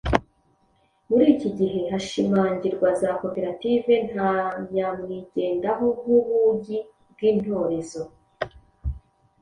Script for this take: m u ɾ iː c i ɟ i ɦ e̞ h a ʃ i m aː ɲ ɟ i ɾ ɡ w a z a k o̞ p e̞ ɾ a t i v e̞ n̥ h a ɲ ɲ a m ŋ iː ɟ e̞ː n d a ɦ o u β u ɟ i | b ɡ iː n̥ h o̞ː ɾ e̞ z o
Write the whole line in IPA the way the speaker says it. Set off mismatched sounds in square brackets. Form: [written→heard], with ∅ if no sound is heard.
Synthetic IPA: m u ɾ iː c i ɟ i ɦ e̞ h a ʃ i m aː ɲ ɟ i ɾ ɡ w a z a k o̞ p e̞ ɾ a t i v e̞ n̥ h a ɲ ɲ a m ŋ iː ɟ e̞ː n d a ɦ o u β u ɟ i | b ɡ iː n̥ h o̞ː ɾ e̞ z o